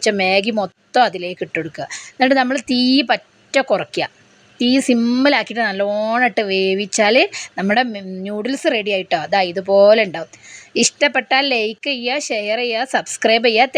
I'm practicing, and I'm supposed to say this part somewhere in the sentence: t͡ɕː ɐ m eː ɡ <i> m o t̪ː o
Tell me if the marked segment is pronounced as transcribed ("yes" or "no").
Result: yes